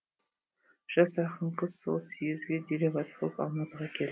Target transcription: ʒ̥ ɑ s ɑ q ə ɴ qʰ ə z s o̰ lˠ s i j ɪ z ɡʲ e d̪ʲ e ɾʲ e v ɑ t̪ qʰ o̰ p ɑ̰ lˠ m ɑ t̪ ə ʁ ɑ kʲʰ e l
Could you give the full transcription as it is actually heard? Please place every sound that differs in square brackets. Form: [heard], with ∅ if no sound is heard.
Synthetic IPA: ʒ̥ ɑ s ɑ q ə ɴ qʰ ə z s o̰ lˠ s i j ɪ z ɡʲ e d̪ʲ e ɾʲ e v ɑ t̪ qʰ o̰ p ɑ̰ lˠ m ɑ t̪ ə ʁ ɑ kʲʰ e l